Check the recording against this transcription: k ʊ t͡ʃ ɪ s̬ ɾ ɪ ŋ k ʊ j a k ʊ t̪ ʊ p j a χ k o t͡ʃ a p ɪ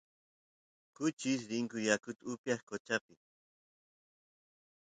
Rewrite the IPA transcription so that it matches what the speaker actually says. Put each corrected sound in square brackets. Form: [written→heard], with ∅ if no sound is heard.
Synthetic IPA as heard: k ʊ t͡ʃ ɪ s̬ ɾ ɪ ŋ k ʊ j a k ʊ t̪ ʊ p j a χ k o t͡ʃ a p ɪ